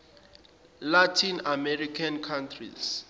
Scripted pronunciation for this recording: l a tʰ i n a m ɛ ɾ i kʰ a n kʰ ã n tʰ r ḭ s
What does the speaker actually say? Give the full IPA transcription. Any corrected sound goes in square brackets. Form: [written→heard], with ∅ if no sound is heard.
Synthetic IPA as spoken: l a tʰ i n a m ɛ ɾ i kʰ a n kʰ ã n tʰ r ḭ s